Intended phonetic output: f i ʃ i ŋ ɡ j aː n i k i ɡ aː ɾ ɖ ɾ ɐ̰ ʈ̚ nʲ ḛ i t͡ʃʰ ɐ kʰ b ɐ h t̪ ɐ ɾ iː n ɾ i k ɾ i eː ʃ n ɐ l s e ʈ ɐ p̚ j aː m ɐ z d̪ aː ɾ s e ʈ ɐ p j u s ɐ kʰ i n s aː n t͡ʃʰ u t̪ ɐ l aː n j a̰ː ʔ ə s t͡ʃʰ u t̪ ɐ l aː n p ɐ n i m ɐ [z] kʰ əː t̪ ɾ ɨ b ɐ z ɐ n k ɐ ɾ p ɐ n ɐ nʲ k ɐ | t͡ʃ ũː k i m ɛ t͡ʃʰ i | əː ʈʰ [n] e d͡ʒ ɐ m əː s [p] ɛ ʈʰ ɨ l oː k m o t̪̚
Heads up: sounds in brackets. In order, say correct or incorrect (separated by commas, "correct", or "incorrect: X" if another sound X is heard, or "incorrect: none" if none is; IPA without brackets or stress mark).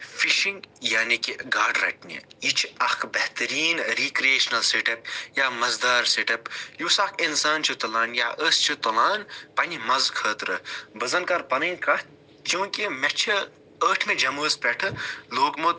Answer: correct, incorrect: m, correct